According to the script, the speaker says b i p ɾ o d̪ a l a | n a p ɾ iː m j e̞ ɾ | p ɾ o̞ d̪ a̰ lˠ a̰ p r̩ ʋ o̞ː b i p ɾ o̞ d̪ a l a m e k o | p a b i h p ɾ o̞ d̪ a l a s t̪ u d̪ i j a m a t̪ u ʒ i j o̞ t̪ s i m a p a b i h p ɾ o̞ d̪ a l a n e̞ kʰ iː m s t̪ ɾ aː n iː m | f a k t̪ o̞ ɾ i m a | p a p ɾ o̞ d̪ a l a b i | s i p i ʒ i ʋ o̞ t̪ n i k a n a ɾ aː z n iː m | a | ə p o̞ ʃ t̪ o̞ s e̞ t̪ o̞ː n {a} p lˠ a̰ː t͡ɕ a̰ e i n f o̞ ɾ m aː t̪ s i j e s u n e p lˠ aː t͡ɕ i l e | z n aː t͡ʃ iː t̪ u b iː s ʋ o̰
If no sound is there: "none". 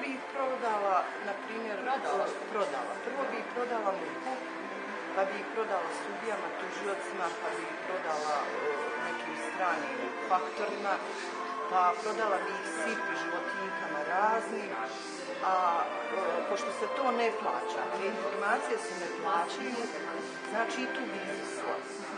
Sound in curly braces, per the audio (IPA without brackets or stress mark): e